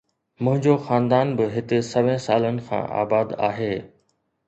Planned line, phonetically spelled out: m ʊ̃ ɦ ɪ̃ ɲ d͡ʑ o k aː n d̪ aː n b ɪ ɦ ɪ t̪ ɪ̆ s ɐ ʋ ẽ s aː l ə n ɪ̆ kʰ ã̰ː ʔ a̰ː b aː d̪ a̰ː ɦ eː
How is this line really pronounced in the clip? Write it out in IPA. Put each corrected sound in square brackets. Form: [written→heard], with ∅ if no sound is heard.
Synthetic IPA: m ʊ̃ ɦ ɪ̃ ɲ d͡ʑ o [k→x] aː n d̪ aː n b ɪ ɦ ɪ t̪ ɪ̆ s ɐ ʋ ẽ s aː l ə n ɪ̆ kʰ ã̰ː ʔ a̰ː b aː d̪ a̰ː ɦ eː